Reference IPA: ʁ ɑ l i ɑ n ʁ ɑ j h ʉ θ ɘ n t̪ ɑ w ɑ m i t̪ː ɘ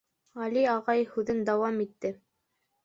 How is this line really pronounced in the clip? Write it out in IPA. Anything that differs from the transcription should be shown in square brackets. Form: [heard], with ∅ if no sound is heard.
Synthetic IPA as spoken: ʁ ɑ l i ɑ [∅] ʁ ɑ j h ʉ [ð] ɘ n [d̪] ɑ w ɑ m i t̪ː ɘ